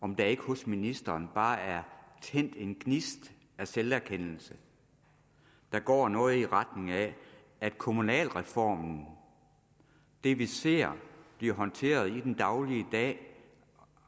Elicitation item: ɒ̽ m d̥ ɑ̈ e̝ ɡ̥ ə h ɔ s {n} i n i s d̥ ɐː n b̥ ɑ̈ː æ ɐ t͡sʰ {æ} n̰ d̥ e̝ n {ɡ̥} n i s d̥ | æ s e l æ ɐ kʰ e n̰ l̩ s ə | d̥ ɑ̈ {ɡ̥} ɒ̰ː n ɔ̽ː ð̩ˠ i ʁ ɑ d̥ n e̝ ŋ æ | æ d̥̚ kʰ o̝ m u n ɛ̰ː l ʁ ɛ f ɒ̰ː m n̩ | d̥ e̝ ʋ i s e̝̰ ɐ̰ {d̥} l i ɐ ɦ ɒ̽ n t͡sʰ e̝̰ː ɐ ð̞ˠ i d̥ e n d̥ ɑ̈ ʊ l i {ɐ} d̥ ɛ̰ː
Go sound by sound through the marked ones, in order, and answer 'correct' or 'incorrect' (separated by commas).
incorrect, incorrect, correct, correct, incorrect, incorrect